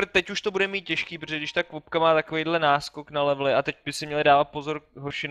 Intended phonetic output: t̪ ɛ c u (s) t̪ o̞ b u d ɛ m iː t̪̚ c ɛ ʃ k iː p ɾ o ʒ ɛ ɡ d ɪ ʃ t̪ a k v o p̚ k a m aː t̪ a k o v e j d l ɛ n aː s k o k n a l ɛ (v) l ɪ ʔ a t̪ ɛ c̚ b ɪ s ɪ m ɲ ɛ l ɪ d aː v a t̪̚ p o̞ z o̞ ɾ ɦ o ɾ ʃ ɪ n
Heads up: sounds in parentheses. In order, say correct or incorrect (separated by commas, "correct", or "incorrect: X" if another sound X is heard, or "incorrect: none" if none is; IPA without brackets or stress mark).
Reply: incorrect: ʃ, correct